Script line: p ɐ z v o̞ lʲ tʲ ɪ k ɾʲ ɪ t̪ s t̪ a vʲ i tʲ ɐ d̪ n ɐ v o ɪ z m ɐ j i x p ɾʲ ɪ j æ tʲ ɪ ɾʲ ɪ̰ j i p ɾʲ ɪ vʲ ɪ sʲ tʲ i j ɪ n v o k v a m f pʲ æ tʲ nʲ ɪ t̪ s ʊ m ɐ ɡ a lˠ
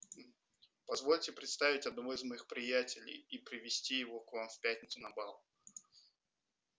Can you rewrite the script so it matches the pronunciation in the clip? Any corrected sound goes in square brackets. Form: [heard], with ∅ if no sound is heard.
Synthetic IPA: p ɐ z v o̞ lʲ tʲ ɪ [p] ɾʲ ɪ t̪ s t̪ a vʲ [ɪ] tʲ ɐ d̪ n ɐ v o ɪ z m ɐ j i x p ɾʲ ɪ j æ tʲ ɪ [lʲ] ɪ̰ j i p ɾʲ ɪ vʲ ɪ sʲ tʲ i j ɪ [∅] v o k v a m f pʲ æ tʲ nʲ ɪ t̪ s ʊ [n] ɐ [b] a lˠ